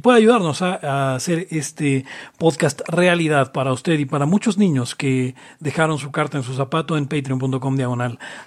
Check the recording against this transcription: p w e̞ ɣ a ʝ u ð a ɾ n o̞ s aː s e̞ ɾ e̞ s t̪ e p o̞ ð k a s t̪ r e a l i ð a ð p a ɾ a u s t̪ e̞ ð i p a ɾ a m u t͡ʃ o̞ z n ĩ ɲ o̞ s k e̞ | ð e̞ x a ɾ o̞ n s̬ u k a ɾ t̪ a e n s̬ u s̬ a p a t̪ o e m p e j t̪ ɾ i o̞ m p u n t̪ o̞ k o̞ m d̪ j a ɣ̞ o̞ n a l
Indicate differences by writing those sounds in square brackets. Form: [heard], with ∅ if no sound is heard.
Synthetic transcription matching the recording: p w e̞ [ð] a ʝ u ð a ɾ n o̞ s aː s e̞ ɾ e̞ s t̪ e p o̞ ð k a s t̪ r e a l i ð a ð p a ɾ a u s t̪ e̞ ð i p a ɾ a m u t͡ʃ o̞ z n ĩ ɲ o̞ s k e̞ | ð e̞ x a ɾ o̞ n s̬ u k a ɾ t̪ a e n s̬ u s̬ a p a t̪ o e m p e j t̪ ɾ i o̞ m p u n t̪ o̞ k o̞ m d̪ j a ɣ̞ o̞ n a l